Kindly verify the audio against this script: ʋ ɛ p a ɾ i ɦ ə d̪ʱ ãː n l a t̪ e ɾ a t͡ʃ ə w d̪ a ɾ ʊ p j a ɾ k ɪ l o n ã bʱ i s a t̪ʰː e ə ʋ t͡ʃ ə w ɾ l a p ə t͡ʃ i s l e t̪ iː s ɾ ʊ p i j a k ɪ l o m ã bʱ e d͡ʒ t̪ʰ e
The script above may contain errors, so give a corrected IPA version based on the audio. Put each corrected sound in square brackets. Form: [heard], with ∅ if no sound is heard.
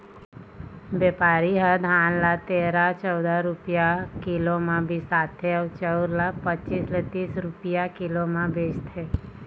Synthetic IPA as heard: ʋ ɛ p a ɾ i ɦ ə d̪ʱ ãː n l a t̪ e ɾ a t͡ʃ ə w d̪ a ɾ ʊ p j a [∅] k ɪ l o [m] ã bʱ i s a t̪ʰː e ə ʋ t͡ʃ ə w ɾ l a p ə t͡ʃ i s l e t̪ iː s ɾ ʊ p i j a k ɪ l o m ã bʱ e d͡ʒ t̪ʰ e